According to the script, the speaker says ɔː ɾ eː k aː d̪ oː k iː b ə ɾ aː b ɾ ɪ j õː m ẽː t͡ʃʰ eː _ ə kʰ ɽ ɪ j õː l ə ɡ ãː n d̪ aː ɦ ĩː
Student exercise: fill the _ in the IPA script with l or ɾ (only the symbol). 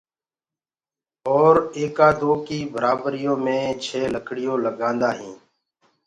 l